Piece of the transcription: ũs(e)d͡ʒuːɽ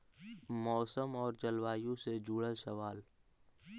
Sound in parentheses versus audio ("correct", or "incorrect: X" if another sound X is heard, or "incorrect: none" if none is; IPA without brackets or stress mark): correct